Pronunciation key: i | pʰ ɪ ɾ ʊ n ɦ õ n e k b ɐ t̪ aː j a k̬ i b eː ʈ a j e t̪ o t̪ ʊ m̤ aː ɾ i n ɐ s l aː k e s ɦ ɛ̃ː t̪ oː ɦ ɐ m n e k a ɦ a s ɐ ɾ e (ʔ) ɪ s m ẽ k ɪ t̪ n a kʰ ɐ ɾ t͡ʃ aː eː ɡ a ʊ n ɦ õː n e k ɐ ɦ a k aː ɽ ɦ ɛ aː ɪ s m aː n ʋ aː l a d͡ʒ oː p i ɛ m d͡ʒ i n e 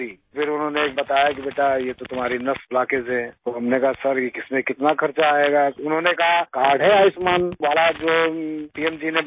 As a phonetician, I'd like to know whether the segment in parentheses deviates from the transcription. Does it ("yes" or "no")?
yes